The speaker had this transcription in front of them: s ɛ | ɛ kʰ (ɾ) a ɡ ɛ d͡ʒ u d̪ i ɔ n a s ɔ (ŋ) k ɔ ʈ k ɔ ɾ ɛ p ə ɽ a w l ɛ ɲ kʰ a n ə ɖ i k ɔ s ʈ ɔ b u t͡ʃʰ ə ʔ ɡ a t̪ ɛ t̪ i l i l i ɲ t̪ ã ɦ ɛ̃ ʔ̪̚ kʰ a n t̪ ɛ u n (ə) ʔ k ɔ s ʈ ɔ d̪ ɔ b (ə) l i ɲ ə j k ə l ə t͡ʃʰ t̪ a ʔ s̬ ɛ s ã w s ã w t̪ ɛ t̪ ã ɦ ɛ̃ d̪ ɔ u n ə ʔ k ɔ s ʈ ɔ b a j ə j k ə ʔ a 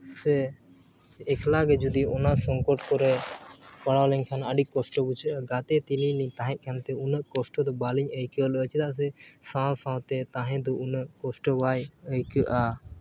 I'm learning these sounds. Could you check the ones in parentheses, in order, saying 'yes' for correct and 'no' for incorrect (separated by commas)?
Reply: no, yes, yes, no